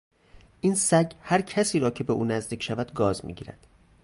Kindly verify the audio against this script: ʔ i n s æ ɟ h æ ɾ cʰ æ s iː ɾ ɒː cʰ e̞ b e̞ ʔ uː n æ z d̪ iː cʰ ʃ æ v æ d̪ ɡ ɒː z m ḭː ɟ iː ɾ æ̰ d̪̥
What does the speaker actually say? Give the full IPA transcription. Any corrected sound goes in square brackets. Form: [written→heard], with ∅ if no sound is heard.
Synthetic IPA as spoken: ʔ i n s æ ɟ h æ ɾ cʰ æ s iː ɾ ɒː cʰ e̞ b e̞ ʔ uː n æ z d̪ iː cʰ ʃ æ v æ d̪ ɡ ɒː z m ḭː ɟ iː ɾ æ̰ d̪̥

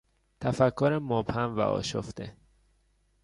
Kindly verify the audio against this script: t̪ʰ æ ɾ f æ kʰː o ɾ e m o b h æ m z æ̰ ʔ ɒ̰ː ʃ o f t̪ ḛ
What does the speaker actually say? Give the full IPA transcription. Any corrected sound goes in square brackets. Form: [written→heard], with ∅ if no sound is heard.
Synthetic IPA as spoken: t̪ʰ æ [ɾ→∅] f æ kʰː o ɾ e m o b h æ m [z→v] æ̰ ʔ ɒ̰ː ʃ o f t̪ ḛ

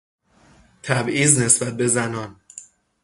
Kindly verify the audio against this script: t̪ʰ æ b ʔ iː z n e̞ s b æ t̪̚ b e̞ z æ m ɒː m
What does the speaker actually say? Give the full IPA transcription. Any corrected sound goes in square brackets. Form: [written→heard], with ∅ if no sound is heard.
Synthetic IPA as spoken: t̪ʰ æ b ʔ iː z n e̞ s b æ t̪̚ b e̞ z æ [m→n] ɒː [m→n]

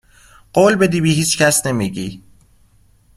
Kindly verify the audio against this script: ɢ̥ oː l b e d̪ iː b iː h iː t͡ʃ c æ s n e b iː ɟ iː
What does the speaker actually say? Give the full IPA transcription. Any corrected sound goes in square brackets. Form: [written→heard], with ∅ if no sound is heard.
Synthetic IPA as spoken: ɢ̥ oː l b e d̪ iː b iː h iː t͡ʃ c æ s n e [b→m] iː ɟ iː

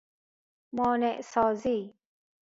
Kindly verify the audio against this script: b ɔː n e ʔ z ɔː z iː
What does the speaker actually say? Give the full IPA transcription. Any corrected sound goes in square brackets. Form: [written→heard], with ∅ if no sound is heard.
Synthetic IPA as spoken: [b→m] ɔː n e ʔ [z→s] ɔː z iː

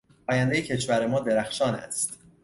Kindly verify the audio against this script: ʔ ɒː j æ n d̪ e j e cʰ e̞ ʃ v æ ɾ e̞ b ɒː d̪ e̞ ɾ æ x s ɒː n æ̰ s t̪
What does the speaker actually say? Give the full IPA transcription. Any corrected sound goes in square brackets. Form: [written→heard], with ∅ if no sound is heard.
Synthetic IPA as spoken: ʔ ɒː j æ n d̪ e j e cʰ e̞ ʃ v æ ɾ e̞ [b→m] ɒː d̪ e̞ ɾ æ x [s→ʃ] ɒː n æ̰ s t̪

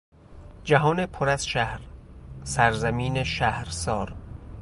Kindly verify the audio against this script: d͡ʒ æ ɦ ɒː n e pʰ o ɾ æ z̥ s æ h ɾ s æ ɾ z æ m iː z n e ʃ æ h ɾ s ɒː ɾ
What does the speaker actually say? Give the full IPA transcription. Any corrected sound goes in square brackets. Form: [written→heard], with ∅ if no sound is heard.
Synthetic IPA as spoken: d͡ʒ æ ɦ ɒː n e pʰ o ɾ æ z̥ [s→ʃ] æ h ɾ s æ ɾ z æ m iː [z→∅] n e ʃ æ h ɾ s ɒː ɾ

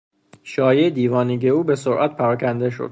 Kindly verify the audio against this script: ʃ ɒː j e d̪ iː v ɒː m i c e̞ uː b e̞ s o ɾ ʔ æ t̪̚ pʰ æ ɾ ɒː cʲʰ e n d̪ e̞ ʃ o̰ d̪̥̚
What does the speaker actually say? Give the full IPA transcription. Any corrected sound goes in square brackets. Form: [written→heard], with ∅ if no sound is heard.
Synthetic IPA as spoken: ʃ ɒː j e d̪ iː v ɒː [m→n] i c e̞ uː b e̞ s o ɾ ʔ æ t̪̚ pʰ æ ɾ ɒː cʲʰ [e→æ] n d̪ e̞ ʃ o̰ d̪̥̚

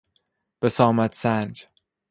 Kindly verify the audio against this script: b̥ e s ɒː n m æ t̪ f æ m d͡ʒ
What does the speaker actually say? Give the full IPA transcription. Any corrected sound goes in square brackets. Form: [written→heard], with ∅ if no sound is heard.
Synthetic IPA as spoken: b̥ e s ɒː [n→∅] m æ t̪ [f→s] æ [m→n] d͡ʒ

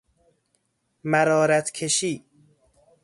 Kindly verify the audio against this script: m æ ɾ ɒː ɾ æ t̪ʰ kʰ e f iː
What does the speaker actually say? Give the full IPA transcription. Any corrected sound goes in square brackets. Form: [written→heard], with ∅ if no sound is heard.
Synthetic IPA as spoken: m æ ɾ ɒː ɾ æ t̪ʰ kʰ e [f→ʃ] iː

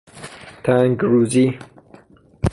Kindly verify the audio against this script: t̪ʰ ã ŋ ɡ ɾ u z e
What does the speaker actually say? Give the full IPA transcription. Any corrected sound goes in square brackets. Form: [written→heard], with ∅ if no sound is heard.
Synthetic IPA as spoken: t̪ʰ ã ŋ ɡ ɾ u z [e→i]

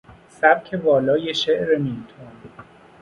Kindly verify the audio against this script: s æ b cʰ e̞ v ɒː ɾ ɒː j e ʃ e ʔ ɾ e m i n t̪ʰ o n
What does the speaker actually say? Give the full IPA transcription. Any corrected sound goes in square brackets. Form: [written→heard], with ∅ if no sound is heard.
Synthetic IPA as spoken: s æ b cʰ e̞ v ɒː [ɾ→l] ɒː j e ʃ e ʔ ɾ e m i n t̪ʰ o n

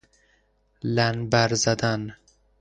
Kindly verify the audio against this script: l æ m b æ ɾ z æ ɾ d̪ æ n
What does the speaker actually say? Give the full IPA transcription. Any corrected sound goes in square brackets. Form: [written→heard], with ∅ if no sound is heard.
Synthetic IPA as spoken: l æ [m→n] b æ ɾ z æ [ɾ→∅] d̪ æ n

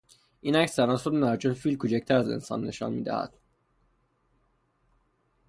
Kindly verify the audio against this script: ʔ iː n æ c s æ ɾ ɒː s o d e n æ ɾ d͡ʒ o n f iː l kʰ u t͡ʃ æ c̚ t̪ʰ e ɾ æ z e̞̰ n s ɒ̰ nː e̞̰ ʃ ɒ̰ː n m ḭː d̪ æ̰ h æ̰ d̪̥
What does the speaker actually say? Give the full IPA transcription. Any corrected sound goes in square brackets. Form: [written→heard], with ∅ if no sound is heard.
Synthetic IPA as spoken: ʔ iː n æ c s æ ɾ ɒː s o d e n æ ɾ d͡ʒ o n f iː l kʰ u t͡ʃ æ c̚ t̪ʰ [e→æ] ɾ æ z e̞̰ n s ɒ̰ nː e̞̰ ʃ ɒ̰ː n m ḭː d̪ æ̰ h æ̰ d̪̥

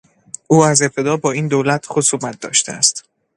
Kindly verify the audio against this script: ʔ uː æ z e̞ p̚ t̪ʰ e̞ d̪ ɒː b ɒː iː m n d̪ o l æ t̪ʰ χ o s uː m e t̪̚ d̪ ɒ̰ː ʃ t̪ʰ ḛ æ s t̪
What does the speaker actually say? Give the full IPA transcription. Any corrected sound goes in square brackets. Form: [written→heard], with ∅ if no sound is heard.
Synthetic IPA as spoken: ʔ uː æ z e̞ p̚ t̪ʰ e̞ d̪ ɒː b ɒː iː [m→∅] n d̪ o l æ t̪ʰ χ o s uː m [e→æ] t̪̚ d̪ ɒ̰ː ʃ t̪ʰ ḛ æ s t̪

